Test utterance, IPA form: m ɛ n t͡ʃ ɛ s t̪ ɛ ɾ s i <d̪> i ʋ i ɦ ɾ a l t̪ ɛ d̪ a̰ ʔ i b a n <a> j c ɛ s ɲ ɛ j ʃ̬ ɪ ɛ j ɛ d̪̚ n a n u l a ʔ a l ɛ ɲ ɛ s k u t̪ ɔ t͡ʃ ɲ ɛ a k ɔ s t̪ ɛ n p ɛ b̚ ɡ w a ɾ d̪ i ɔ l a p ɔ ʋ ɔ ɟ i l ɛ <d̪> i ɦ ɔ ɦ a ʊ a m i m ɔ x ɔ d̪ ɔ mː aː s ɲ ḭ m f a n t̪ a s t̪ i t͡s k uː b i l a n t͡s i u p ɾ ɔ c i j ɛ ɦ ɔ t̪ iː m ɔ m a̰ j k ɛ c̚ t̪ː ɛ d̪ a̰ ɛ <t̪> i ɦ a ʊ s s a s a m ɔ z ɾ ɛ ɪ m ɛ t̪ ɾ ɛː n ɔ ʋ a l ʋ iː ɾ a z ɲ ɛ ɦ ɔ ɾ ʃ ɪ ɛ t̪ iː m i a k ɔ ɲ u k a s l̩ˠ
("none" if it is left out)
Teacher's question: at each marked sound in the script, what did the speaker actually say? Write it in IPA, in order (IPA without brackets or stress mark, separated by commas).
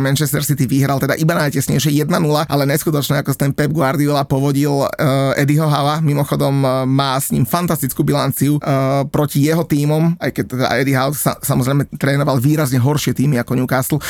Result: t̪, a, d̪, d̪